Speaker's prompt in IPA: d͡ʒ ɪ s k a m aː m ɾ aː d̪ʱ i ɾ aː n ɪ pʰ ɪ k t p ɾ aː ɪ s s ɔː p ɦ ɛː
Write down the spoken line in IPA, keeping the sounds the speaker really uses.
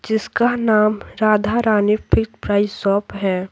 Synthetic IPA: d͡ʒ ɪ s k a n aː m ɾ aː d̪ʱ a ɾ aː n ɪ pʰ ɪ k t p ɾ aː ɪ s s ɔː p ɦ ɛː